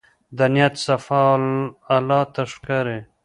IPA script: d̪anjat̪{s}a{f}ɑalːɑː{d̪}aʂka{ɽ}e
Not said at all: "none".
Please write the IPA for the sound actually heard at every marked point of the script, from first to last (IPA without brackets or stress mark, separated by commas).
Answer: s, f, t̪, ɾ